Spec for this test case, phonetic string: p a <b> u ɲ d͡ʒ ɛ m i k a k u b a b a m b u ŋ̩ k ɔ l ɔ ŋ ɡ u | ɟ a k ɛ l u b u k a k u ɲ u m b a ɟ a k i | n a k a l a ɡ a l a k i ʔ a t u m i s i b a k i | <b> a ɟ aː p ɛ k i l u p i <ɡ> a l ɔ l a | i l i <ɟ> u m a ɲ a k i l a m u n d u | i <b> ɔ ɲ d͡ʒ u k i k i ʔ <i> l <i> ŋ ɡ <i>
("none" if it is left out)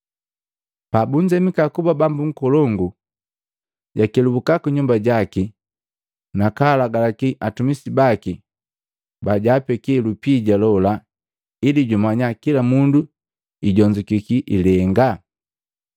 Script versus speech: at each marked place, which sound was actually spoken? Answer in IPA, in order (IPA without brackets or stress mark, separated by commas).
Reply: b, b, ɟ, ɟ, ɟ, i, ɛ, a